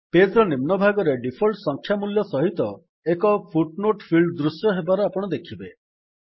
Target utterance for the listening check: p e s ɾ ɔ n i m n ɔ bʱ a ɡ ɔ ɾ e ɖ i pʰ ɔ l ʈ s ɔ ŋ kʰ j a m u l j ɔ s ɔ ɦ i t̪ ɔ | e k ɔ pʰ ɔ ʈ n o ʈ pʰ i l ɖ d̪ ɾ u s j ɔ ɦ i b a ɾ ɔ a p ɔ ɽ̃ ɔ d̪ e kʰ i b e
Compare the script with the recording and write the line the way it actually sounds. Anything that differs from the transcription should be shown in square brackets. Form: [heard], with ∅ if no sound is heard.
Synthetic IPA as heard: p e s ɾ ɔ n i m n ɔ bʱ a ɡ ɔ ɾ e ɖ i pʰ ɔ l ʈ s ɔ ŋ kʰ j a m u l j ɔ s ɔ ɦ i t̪ ɔ | e k ɔ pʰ [u] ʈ n o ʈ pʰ i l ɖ d̪ ɾ u s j ɔ ɦ [e] b a ɾ ɔ a p ɔ ɽ̃ ɔ d̪ e kʰ i b e